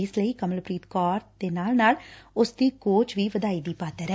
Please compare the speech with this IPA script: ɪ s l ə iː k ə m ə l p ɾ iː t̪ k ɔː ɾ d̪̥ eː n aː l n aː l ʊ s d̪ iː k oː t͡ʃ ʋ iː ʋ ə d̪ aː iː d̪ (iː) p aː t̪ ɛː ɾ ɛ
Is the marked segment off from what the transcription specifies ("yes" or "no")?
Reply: no